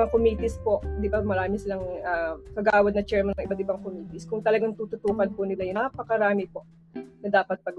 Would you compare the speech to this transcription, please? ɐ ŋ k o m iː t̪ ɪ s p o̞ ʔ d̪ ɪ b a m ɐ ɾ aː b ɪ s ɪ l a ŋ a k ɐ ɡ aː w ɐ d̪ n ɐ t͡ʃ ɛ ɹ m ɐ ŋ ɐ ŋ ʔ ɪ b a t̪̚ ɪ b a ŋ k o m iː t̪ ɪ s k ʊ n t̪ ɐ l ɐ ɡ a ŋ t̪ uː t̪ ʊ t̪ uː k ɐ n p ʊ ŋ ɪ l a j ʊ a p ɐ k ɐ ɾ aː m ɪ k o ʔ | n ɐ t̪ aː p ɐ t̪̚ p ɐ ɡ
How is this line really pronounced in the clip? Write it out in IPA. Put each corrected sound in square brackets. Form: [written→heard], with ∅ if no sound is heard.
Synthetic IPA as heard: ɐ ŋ k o m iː t̪ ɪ s p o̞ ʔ d̪ ɪ b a m ɐ ɾ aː [b→m] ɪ s ɪ l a ŋ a k ɐ ɡ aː w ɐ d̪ n ɐ t͡ʃ ɛ ɹ m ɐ [ŋ→n] ɐ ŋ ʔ ɪ b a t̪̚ ɪ b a ŋ k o m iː t̪ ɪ s k ʊ [n→ŋ] t̪ ɐ l ɐ ɡ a ŋ t̪ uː t̪ ʊ t̪ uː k ɐ n p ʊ [ŋ→n] ɪ l a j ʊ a p ɐ k ɐ ɾ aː m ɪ [k→p] o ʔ | n ɐ [t̪→d̪] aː p ɐ t̪̚ p ɐ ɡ